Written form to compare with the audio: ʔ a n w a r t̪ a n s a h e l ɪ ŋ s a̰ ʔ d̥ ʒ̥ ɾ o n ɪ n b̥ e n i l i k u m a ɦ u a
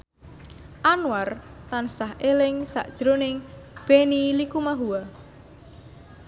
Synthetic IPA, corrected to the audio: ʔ a n w a r t̪ a n s a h e l ɪ ŋ s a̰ ʔ d̥ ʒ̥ ɾ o n ɪ ŋ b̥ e n i l i k u m a ɦ u a